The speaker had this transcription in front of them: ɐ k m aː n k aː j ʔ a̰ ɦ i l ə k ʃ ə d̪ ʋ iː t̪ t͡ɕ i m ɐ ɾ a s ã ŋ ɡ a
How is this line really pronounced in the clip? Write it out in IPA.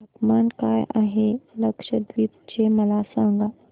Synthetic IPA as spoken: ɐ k m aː n k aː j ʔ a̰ ɦ e l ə k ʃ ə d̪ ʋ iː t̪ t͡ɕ e m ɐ l a s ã ŋ ɡ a